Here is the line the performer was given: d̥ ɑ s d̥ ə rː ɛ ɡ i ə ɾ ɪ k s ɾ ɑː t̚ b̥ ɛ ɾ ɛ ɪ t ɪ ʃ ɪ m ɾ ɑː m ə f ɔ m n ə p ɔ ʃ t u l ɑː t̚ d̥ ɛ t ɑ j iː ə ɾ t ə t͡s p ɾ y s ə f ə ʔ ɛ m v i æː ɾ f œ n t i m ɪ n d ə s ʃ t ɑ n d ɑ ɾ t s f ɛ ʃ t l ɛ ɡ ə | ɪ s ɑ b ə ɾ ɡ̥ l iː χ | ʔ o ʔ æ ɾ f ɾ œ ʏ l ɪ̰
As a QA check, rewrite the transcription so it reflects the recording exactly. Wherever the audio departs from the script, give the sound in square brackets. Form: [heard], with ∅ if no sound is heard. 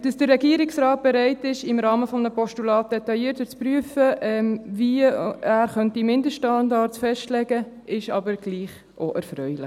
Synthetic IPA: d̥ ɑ s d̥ ə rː ɛ ɡ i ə ɾ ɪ k s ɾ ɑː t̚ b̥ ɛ ɾ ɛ ɪ t ɪ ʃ ɪ m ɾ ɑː m ə f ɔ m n ə p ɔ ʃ t u l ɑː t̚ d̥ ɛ t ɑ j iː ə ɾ t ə t͡s p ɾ y [∅] ə f ə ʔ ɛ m v i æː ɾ [χ] œ n t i m ɪ n d ə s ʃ t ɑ n d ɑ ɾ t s f ɛ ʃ t l ɛ ɡ ə | ɪ [ʃ] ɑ b ə ɾ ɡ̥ l iː χ | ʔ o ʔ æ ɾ f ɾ œ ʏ l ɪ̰